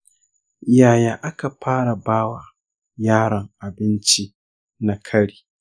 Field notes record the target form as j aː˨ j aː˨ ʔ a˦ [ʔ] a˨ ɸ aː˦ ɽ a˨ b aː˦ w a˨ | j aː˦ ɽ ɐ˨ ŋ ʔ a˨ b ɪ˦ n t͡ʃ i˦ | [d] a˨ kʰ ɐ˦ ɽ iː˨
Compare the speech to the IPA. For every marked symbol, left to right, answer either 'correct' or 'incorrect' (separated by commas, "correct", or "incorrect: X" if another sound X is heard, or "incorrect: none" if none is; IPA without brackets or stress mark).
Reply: incorrect: k, incorrect: n